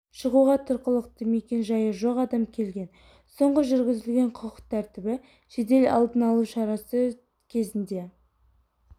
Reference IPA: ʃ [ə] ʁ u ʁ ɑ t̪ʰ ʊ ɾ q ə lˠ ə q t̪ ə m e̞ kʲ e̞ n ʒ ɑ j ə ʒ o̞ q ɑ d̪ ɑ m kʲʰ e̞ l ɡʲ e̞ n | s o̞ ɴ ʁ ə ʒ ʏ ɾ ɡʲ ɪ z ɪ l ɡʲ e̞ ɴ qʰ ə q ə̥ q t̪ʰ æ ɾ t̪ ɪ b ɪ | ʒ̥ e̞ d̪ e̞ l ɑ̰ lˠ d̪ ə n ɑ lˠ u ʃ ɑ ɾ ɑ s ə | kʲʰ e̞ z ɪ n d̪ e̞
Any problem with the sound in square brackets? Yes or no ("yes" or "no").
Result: no